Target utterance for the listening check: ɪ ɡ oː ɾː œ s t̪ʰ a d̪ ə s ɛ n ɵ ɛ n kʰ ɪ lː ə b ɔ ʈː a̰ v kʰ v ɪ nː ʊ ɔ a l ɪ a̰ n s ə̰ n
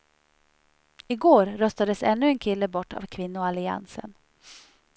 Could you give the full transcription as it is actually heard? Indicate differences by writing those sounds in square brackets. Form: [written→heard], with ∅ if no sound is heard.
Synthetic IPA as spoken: ɪ ɡ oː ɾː œ s [t̪ʰ→t̪] a d̪ ə s ɛ [n→nː] ɵ ɛ n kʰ ɪ lː ə b ɔ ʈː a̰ v kʰ v ɪ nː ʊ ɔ a l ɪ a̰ n s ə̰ n